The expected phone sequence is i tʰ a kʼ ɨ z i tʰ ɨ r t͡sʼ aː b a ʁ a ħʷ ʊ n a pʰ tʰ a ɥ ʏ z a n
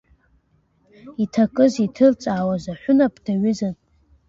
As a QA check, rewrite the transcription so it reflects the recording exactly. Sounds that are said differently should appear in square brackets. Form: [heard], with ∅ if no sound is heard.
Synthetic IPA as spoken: i tʰ a kʼ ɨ z i tʰ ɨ r t͡sʼ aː [w] a [z] a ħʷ ʊ n a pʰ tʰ a ɥ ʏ z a n